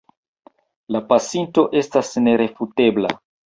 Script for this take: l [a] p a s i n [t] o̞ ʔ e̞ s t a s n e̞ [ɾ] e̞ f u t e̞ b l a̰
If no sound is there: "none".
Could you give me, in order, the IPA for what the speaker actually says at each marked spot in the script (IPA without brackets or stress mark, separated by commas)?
a, t, ɾ